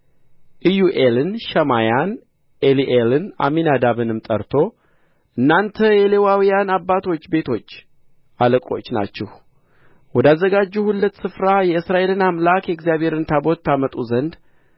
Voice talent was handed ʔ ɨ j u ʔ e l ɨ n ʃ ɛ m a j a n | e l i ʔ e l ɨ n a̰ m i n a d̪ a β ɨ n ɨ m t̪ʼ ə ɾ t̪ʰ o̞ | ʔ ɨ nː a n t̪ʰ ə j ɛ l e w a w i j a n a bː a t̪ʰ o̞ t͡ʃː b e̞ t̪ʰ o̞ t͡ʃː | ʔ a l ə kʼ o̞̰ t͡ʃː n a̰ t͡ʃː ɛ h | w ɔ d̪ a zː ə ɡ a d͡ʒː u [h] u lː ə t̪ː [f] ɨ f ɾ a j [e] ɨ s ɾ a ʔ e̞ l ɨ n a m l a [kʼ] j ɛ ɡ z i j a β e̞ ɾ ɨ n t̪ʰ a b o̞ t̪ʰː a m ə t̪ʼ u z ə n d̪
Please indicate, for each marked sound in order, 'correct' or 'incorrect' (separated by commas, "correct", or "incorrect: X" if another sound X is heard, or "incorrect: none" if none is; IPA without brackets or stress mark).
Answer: correct, incorrect: s, incorrect: ɛ, incorrect: k